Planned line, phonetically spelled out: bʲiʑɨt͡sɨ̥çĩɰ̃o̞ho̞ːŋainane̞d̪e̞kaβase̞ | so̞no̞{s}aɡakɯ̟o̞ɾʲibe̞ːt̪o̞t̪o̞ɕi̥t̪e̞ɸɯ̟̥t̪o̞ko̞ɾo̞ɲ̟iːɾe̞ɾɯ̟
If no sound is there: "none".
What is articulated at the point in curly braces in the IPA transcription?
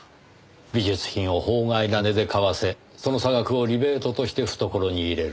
s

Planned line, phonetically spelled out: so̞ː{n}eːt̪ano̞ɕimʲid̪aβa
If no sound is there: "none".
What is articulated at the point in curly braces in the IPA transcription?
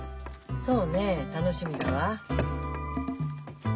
n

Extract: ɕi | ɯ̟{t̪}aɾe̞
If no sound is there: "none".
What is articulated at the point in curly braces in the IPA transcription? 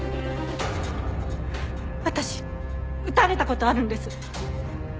t̪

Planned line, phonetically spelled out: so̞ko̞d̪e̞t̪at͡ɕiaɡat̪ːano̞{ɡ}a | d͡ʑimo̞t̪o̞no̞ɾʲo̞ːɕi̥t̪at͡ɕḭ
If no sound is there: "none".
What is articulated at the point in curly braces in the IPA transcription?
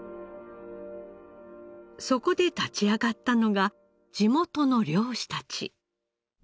ɡ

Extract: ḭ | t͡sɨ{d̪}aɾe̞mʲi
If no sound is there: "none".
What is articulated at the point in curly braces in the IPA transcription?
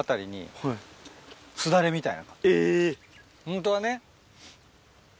d̪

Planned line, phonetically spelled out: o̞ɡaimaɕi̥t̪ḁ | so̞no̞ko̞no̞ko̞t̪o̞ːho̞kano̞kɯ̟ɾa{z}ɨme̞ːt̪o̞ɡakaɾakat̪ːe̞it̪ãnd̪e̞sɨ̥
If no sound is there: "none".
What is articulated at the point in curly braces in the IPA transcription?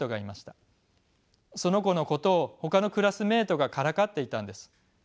s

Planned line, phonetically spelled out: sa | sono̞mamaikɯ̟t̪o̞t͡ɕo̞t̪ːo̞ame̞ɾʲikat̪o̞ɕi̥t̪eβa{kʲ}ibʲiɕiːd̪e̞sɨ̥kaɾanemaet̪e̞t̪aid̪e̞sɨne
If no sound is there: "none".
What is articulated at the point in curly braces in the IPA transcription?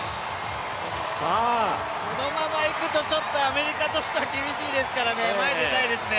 kʲ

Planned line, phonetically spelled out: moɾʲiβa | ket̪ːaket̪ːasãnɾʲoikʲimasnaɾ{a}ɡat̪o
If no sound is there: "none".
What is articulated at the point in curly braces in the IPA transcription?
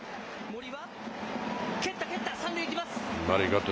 i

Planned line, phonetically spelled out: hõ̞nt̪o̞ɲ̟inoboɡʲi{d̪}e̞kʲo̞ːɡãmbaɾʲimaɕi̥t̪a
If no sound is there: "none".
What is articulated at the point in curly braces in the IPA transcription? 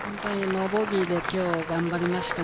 d̪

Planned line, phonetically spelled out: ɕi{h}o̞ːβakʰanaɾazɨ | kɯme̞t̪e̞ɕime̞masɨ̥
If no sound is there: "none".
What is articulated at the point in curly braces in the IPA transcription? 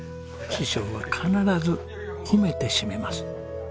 ɕ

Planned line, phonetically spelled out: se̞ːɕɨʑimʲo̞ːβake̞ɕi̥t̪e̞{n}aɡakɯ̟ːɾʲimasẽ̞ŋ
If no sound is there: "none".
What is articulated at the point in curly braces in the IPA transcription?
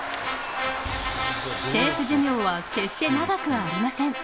n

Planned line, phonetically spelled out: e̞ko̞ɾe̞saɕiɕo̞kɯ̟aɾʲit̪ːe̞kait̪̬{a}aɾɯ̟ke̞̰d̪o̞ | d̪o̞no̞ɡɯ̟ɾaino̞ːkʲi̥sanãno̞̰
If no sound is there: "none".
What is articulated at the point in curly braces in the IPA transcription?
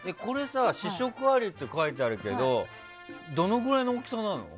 e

